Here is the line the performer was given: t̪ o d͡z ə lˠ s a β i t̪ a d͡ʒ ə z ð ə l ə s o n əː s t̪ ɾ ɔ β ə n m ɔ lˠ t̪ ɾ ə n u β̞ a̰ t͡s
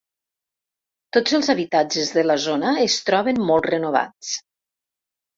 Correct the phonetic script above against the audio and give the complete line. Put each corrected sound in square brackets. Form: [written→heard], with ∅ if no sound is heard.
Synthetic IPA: t̪ o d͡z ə lˠ [s→z] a β i t̪ a d͡ʒ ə z ð ə l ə [s→z] o n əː s t̪ ɾ ɔ β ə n m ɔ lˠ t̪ [ɾ→r] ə n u β̞ a̰ t͡s